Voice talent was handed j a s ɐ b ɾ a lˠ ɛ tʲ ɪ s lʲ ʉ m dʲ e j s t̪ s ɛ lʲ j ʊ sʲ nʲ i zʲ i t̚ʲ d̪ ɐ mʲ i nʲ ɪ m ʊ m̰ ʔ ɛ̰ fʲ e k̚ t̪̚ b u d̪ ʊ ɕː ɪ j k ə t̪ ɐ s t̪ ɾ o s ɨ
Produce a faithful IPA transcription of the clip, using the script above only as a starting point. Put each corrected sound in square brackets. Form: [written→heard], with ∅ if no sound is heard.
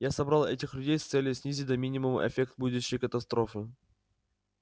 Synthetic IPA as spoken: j a s ɐ b ɾ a lˠ ɛ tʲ ɪ [s→x] lʲ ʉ [m→∅] dʲ e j s t̪ s ɛ lʲ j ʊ sʲ nʲ i zʲ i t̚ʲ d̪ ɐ mʲ i nʲ ɪ m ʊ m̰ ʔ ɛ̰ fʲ e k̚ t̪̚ b u d̪ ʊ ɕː ɪ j k ə t̪ ɐ s t̪ ɾ o [s→f] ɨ